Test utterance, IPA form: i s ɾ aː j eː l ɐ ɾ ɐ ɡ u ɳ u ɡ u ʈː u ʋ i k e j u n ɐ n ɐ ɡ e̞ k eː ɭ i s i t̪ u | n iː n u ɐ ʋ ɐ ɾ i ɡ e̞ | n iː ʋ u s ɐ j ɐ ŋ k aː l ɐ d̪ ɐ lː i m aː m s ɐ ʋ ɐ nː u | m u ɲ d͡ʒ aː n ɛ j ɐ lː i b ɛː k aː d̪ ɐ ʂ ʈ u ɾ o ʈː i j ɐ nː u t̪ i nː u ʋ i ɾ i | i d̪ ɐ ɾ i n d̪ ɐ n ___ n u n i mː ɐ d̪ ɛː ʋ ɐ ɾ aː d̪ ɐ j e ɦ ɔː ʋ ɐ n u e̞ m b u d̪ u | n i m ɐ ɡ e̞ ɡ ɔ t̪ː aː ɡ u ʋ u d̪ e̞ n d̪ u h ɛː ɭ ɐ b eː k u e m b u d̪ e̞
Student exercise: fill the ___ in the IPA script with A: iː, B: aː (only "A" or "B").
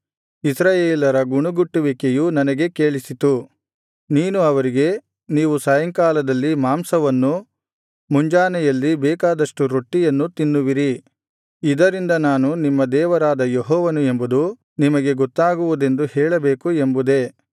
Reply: B